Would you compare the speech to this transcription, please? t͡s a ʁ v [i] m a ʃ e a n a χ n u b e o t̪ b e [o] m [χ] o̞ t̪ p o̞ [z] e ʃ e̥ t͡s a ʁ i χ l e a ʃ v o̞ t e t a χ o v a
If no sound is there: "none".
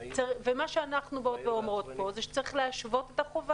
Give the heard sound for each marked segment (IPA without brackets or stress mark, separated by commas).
e, o, ʁ, z